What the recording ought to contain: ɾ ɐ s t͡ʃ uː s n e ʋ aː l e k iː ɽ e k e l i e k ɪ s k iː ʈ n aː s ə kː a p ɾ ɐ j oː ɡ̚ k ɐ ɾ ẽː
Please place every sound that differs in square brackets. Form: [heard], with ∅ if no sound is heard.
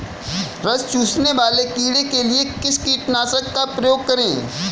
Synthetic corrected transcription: ɾ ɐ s t͡ʃ uː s n e ʋ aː l e k iː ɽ e k e l i e k ɪ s k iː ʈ n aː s ə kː a p ɾ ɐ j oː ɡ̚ k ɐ ɾ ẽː